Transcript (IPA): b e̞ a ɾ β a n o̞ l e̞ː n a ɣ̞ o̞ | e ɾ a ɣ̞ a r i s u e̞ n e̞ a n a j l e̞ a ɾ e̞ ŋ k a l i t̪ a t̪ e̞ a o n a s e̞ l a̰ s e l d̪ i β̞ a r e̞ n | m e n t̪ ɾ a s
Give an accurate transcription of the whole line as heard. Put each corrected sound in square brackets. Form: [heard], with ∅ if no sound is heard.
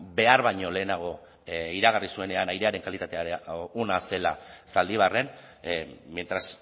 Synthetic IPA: b e̞ a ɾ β a [ɲ] o̞ l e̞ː n a ɣ̞ o̞ | [i] ɾ a ɣ̞ a r i s u e̞ n e̞ a n a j [ɾ] e̞ a ɾ e̞ ŋ k a l i t̪ a t̪ e̞ a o n a s e̞ l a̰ s [a] l d̪ i β̞ a r e̞ n | m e n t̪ ɾ a s